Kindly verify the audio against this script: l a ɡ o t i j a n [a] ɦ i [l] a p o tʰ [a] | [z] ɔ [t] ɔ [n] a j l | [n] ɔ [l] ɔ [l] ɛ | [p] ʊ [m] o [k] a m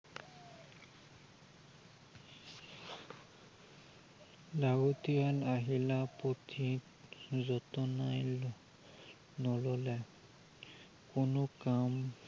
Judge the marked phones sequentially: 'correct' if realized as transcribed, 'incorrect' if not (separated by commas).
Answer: correct, correct, incorrect, correct, correct, correct, correct, correct, correct, incorrect, incorrect, correct